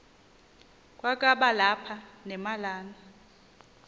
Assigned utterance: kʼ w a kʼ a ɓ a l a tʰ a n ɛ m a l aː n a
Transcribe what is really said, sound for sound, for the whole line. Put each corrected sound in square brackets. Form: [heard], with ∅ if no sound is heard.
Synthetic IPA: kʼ w a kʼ a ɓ a l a [pʰ] a n ɛ m a l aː n a

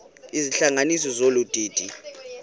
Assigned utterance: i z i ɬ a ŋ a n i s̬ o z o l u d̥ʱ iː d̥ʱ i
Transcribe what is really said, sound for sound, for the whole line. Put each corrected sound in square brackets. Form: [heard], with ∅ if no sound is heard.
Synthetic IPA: i z i ɬ a ŋ a n i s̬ [ɔ] z o l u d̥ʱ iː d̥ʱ i

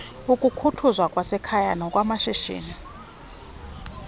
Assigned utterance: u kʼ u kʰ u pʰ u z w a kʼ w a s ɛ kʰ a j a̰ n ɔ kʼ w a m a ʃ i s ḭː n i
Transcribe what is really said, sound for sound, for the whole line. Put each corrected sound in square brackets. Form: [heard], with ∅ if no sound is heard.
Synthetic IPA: u kʼ u kʰ u [tʰ] u z w a kʼ w a s ɛ kʰ a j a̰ n ɔ kʼ w a m a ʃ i [ʃ] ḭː n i

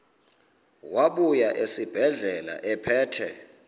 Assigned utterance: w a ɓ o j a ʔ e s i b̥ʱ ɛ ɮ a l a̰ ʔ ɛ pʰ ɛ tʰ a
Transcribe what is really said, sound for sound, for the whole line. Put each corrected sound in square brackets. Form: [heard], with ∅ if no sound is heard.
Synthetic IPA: w a ɓ [u] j a ʔ e s i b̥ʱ ɛ ɮ [ɛ] l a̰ ʔ ɛ pʰ [ɛː] tʰ [ɛ]

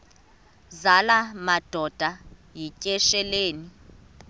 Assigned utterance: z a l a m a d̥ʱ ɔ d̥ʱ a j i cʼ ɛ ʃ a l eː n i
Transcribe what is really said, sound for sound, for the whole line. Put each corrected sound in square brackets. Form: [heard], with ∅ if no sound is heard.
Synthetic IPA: z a l a m a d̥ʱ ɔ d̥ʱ a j i cʼ ɛ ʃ [ɛ] l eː n i

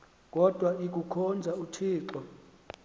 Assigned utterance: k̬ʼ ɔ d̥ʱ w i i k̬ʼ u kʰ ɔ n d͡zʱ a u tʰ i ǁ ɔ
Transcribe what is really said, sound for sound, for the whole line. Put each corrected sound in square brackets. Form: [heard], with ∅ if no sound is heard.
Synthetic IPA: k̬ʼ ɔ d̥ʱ w [a] i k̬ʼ u kʰ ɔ n d͡zʱ a u tʰ [iː] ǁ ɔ

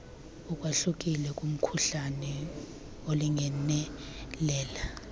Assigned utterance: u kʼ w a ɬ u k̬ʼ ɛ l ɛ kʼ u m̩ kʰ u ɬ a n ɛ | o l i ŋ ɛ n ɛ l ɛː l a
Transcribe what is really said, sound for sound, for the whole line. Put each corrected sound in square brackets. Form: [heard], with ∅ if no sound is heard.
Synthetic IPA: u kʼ w a ɬ u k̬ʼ [i] l ɛ kʼ u m̩ kʰ u ɬ a n ɛ | o l i ŋ ɛ n ɛ l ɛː l a

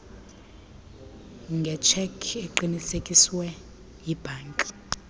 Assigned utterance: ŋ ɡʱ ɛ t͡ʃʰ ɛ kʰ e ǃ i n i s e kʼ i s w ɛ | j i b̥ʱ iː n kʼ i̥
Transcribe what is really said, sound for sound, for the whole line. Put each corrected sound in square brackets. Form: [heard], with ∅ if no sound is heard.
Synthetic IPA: ŋ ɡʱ ɛ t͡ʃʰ ɛ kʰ e ǃ i n i s e kʼ i s w ɛ | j i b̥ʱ [aː] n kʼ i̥

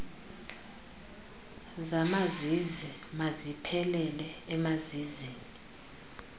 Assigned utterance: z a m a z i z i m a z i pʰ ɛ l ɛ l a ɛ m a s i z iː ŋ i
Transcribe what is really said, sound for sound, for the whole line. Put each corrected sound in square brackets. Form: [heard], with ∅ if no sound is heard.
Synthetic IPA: z a m a z i z i m a z i pʰ ɛ l ɛ l [ɛ] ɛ m a [z] i z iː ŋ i

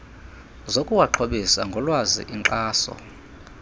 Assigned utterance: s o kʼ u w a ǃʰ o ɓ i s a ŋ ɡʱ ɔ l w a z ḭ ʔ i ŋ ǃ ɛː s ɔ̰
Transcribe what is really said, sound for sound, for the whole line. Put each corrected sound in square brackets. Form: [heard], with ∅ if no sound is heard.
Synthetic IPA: [z] o kʼ u w a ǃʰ o ɓ i s a ŋ ɡʱ ɔ l w a z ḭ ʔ i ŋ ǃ [aː] s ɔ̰

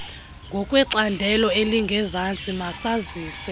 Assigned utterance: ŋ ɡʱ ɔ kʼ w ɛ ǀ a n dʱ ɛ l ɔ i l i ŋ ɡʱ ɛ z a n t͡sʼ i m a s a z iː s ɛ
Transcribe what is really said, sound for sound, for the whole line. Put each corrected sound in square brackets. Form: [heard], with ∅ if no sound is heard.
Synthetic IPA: ŋ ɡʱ ɔ kʼ w ɛ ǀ a n dʱ ɛ l ɔ [e] l i ŋ ɡʱ ɛ z a n t͡sʼ i m a s a z iː s ɛ

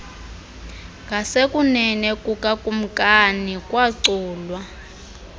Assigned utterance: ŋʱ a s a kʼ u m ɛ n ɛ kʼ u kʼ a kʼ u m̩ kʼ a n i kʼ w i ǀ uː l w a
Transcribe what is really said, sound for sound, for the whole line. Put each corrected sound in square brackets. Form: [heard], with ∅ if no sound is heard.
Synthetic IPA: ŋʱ a s [e] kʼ u [n] ɛ n ɛ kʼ u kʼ a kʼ u m̩ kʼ a n i kʼ w [a] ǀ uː l w a

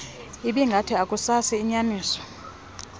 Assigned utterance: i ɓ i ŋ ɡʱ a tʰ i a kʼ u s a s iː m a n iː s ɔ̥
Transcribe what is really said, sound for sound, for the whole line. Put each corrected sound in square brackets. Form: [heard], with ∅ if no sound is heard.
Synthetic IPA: i ɓ i ŋ ɡʱ a tʰ i a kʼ u s a s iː [ɲ] a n iː s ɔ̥

